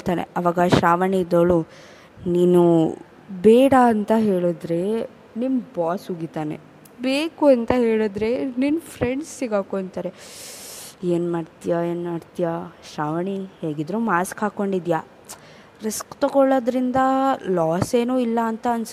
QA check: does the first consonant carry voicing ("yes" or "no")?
no